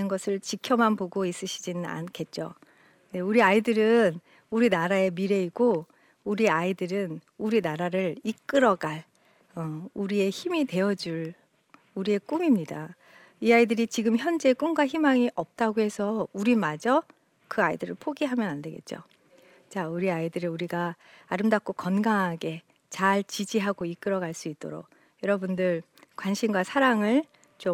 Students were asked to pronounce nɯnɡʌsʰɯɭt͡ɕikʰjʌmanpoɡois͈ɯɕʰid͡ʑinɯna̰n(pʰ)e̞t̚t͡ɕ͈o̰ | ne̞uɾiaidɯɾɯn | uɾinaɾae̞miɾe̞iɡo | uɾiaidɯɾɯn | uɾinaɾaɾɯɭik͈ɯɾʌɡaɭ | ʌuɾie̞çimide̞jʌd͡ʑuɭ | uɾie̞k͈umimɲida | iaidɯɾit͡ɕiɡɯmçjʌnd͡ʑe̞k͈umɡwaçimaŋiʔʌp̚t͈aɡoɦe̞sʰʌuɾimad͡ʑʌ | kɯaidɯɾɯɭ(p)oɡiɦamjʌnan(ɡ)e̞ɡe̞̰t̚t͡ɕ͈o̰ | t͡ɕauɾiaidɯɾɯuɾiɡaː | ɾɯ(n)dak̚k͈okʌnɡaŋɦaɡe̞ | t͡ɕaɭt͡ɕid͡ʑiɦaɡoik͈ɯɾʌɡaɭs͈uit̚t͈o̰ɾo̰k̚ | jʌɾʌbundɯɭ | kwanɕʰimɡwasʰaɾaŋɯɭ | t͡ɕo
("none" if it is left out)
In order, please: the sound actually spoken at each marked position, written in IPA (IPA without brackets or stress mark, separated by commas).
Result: kʰ, pʰ, d, m